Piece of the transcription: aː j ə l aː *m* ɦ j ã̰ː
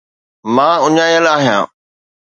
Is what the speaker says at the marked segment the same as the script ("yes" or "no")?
no